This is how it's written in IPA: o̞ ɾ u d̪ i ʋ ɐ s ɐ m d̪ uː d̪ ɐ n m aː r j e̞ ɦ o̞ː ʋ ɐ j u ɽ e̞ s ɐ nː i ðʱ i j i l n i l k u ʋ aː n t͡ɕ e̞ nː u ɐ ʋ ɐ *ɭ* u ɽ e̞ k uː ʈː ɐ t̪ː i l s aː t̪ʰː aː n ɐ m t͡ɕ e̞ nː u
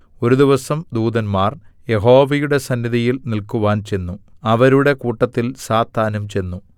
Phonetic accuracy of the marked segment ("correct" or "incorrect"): incorrect